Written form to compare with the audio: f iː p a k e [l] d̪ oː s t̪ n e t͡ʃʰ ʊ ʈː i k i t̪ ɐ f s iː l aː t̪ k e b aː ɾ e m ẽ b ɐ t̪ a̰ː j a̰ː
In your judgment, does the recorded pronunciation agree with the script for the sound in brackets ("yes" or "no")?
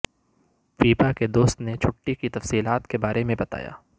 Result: no